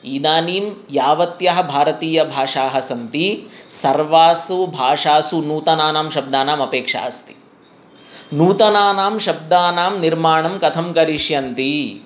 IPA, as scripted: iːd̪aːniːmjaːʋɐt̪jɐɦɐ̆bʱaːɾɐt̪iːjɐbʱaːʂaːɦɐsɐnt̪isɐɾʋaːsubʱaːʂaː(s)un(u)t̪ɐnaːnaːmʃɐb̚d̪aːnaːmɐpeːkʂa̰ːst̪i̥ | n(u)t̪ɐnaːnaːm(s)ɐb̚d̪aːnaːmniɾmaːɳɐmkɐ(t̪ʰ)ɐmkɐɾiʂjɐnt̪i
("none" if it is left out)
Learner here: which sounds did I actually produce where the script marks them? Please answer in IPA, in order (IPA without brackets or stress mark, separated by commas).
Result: s, uː, uː, ʃ, t̪ʰ